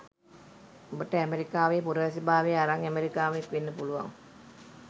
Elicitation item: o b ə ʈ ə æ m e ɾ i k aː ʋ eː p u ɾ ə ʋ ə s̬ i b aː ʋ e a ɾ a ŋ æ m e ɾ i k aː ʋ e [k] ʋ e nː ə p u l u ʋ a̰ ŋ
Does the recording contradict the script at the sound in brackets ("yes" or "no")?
no